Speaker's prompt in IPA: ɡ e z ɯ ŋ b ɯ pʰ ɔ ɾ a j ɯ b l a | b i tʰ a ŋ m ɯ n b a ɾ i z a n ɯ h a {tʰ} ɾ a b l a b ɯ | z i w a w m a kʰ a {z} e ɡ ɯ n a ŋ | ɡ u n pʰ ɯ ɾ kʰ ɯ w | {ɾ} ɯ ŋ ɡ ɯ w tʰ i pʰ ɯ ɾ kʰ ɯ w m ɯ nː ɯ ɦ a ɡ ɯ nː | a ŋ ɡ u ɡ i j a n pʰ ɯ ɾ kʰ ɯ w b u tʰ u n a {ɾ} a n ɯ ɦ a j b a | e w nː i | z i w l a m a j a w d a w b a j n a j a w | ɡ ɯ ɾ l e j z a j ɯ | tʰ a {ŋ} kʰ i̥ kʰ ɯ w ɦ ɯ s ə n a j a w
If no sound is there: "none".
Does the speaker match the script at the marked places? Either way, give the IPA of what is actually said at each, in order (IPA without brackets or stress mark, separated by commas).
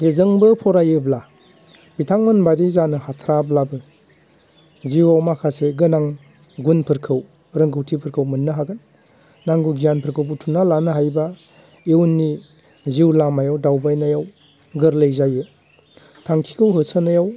tʰ, s, ɾ, l, ŋ